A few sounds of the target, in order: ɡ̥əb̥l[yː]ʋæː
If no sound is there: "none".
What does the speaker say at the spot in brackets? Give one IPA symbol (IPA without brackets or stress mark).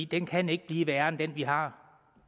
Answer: iː